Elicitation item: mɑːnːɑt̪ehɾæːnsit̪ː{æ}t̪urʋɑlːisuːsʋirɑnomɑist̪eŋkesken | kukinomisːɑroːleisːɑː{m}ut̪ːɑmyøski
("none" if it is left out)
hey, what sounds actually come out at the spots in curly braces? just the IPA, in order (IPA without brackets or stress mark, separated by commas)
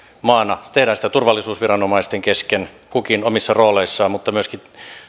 æ, m